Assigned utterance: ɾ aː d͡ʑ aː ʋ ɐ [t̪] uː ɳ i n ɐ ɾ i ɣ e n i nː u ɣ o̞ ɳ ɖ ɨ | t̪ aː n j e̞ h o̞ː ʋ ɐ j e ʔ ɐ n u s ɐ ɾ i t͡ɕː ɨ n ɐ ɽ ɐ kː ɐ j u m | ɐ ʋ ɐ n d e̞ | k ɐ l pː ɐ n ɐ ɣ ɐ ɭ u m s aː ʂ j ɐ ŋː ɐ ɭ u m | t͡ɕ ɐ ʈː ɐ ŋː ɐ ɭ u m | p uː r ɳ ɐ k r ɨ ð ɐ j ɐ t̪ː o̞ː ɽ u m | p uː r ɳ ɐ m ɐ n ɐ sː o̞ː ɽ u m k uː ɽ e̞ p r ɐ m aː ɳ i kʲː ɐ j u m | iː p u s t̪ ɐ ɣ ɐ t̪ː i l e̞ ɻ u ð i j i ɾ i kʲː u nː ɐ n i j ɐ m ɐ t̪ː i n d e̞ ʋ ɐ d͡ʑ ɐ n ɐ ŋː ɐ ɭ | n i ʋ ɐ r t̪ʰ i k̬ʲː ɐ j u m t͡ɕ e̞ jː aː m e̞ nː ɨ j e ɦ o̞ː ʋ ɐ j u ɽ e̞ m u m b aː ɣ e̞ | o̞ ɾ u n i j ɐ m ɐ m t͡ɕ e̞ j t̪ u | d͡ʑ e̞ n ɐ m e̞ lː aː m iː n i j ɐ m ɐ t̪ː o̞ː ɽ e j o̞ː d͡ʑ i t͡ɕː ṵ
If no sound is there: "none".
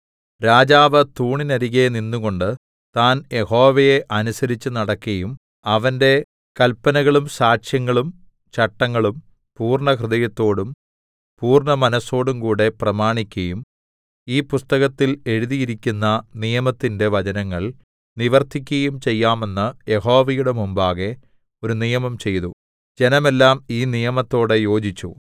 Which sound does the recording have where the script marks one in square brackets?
t̪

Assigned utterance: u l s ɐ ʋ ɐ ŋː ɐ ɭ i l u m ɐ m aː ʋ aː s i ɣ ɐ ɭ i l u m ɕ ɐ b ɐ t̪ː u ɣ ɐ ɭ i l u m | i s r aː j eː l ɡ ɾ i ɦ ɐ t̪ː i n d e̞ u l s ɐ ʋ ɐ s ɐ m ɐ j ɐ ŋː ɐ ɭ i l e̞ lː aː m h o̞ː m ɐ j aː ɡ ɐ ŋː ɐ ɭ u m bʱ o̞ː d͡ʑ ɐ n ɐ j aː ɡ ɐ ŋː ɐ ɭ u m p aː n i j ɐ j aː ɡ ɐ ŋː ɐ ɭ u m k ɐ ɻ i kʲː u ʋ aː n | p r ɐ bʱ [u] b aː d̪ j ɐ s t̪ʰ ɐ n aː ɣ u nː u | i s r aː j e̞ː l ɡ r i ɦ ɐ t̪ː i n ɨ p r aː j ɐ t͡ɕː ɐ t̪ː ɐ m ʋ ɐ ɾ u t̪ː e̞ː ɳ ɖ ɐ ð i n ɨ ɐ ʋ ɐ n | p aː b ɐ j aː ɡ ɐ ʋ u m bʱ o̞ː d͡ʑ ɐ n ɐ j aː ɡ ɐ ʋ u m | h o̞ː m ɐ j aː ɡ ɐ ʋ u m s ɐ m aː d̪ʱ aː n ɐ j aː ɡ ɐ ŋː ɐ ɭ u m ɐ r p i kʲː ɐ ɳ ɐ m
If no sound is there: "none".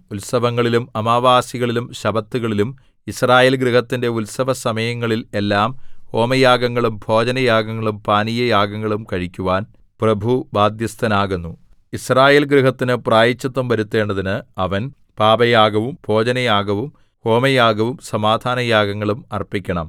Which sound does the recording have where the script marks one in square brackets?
u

